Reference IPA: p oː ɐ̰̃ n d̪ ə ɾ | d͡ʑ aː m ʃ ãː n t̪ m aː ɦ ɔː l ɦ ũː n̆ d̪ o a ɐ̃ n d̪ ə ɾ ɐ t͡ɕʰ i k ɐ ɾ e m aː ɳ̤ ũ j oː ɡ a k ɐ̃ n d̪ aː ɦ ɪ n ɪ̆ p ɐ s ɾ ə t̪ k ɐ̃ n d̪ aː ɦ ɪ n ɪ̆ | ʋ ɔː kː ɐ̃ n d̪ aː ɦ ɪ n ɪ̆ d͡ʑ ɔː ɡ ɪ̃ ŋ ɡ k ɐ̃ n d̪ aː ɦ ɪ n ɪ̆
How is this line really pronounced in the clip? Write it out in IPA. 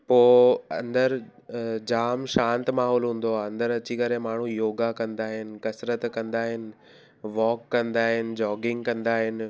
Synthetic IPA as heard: p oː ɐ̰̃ n d̪ ə ɾ | d͡ʑ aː m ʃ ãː n t̪ m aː ɦ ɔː l ɦ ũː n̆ d̪ o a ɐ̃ n d̪ ə ɾ ɐ t͡ɕ i k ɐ ɾ e m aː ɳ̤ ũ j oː ɡ a k ɐ̃ n d̪ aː ɦ ɪ n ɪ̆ k ɐ s ɾ ə t̪ k ɐ̃ n d̪ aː ɦ ɪ n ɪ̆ | ʋ ɔː kː ɐ̃ n d̪ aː ɦ ɪ n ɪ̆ d͡ʑ ɔː ɡ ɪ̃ ŋ ɡ k ɐ̃ n d̪ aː ɦ ɪ n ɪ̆